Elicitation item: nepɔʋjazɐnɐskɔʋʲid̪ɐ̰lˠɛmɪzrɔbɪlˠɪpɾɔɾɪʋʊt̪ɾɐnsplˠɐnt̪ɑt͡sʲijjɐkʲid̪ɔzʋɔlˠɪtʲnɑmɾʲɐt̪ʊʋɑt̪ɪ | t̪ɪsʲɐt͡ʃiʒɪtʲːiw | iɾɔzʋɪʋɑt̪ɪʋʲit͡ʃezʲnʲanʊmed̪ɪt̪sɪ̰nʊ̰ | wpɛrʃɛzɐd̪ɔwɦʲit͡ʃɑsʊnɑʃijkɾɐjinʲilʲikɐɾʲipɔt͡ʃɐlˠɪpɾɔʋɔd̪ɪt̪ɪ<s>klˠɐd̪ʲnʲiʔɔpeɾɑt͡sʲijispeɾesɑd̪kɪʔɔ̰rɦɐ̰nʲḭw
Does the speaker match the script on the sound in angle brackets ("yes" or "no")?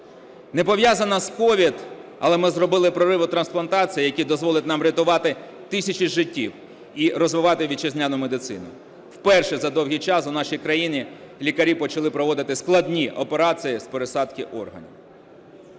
yes